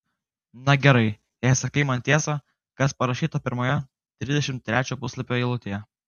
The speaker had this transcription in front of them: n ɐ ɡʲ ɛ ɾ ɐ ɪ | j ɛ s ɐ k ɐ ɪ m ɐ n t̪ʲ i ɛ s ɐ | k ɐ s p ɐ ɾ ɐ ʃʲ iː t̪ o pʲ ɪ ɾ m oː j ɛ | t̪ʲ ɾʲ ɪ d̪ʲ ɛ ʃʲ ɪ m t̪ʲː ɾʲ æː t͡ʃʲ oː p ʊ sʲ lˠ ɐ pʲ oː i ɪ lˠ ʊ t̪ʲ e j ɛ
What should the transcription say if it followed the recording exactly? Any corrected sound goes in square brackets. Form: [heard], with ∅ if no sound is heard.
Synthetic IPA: n ɐ ɡʲ ɛ ɾ ɐ ɪ | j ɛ s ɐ k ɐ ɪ m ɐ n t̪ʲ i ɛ s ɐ | k ɐ s p ɐ ɾ ɐ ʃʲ iː t̪ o pʲ ɪ ɾ m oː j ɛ | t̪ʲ ɾʲ ɪ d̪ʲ ɛ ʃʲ ɪ m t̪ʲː ɾʲ æː t͡ʃʲ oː p ʊ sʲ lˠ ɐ pʲ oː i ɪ lˠ ʊ t̪ʲ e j ɛ